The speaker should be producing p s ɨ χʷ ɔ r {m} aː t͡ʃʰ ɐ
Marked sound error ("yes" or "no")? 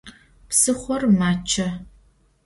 no